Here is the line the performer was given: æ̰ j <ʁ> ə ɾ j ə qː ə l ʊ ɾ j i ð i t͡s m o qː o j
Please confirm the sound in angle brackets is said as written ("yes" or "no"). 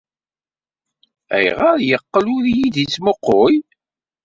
yes